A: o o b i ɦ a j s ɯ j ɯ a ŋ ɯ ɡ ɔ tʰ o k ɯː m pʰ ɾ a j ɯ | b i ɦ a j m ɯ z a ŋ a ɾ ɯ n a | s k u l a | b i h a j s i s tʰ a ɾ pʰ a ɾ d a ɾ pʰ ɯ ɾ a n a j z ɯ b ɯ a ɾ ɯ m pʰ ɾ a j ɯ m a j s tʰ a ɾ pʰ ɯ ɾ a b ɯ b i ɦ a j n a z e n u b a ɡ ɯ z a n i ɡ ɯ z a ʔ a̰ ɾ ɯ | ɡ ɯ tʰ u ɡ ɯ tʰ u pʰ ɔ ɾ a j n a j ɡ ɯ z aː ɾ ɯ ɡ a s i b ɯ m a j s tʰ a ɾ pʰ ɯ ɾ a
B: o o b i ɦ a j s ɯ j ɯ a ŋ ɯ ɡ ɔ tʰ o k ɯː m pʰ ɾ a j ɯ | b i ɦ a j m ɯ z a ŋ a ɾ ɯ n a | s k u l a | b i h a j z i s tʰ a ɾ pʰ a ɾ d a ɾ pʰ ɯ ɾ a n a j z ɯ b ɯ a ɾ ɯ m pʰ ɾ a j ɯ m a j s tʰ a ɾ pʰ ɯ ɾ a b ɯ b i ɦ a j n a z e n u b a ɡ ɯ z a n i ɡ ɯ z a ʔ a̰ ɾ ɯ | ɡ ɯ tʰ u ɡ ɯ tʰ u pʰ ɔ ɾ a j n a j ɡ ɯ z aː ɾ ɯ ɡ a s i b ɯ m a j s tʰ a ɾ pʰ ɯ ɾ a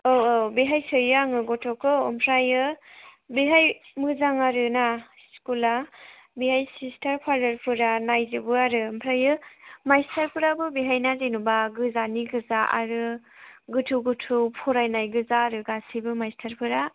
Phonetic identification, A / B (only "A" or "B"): A